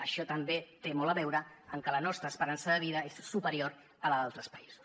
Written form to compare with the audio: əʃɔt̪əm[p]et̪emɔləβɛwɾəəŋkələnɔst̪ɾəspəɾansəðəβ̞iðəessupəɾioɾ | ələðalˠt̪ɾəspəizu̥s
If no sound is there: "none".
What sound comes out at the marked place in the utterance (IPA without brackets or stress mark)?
b